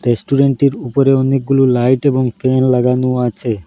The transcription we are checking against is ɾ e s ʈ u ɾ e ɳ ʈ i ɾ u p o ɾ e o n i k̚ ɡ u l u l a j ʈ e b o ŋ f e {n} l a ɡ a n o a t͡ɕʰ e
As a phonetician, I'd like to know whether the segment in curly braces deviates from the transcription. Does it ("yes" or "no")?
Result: no